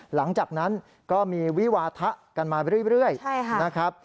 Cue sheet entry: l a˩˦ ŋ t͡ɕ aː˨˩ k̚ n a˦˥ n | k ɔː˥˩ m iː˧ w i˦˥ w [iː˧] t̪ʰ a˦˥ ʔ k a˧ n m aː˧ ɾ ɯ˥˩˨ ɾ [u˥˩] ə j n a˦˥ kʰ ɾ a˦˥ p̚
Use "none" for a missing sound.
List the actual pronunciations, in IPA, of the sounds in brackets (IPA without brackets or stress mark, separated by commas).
aː˧, ɯ˥˩